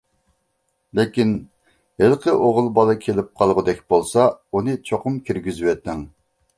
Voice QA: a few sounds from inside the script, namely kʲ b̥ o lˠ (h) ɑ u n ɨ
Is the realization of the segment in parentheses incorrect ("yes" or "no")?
yes